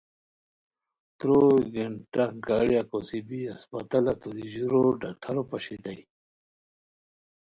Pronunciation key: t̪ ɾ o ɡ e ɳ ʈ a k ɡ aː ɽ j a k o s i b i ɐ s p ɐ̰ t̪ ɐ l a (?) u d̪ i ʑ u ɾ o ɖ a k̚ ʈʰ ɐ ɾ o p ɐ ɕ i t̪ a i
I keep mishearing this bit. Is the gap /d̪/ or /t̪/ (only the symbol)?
t̪